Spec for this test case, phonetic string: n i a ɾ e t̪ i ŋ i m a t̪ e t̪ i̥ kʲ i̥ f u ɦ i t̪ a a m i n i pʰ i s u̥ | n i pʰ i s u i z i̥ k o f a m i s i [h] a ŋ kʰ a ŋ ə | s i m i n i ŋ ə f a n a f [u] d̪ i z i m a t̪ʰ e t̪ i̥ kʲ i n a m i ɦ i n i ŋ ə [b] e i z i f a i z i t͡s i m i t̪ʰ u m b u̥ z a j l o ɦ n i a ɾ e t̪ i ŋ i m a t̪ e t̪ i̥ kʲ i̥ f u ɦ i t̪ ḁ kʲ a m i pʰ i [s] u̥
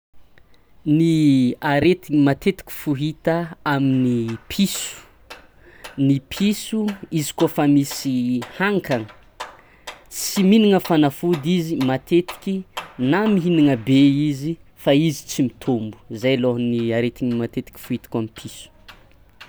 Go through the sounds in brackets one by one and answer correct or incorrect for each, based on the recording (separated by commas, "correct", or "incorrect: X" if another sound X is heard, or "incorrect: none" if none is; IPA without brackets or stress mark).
correct, correct, correct, correct